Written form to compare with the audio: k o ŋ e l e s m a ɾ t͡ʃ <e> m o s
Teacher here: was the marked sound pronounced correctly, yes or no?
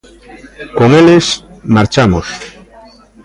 no